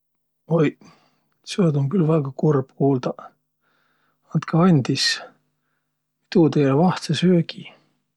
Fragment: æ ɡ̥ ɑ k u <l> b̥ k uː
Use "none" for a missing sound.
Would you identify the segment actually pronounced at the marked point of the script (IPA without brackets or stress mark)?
r